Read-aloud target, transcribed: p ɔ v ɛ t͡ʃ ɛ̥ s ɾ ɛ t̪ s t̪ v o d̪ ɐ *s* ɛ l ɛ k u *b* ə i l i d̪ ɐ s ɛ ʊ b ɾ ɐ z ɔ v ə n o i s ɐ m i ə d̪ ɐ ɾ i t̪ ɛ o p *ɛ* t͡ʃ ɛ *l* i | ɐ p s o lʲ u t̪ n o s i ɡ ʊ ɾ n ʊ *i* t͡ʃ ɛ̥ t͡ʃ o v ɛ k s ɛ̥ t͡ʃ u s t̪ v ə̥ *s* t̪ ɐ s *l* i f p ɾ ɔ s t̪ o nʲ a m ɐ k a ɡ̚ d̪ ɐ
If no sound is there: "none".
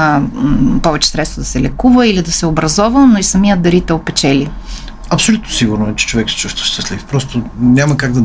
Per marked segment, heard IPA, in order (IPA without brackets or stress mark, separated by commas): s, v, ɛ, l, ɛ, ʃ, l